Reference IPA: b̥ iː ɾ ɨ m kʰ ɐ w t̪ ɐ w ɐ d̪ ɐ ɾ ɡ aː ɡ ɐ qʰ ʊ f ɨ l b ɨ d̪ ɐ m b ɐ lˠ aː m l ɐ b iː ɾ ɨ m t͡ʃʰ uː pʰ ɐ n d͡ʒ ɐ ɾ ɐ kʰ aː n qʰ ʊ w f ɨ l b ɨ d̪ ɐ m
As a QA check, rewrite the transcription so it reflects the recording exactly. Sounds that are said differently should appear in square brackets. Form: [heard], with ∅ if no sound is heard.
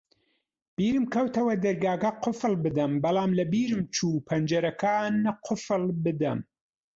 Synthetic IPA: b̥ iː ɾ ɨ m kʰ ɐ w t̪ ɐ w ɐ d̪ ɐ ɾ ɡ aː ɡ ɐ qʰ ʊ f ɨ l b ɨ d̪ ɐ m b ɐ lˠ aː m l ɐ b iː ɾ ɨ m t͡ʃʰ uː pʰ ɐ n d͡ʒ ɐ ɾ ɐ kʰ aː n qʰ ʊ [∅] f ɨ l b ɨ d̪ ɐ m